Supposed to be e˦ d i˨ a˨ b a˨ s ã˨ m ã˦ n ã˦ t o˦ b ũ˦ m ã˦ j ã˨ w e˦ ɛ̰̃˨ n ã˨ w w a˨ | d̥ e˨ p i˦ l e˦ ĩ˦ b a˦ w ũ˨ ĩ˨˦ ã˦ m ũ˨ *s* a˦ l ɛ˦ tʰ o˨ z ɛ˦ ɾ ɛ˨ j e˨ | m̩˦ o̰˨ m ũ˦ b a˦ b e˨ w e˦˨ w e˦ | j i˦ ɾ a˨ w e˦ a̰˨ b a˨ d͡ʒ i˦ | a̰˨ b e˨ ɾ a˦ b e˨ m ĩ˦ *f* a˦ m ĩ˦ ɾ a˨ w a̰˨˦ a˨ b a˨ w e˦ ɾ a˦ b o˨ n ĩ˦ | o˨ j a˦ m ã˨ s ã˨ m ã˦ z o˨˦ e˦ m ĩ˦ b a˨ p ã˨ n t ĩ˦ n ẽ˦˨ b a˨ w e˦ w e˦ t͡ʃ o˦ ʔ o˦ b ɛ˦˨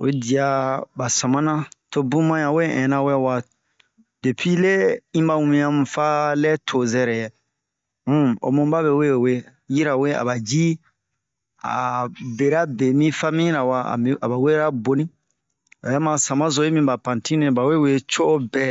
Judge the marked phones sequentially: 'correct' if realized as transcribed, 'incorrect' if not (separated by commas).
incorrect, correct